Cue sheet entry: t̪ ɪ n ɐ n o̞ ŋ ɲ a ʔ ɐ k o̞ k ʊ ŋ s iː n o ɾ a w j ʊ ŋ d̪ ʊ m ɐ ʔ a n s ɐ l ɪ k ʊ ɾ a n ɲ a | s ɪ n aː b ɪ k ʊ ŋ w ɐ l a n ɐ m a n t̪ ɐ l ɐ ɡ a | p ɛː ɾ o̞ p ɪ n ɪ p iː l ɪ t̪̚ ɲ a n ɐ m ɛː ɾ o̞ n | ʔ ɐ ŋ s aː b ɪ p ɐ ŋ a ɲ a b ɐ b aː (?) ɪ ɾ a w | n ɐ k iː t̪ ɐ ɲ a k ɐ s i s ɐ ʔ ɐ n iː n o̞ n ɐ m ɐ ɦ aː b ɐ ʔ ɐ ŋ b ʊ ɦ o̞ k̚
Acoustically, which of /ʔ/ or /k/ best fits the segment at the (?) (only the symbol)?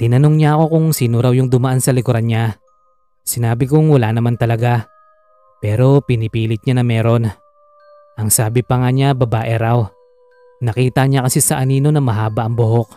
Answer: ʔ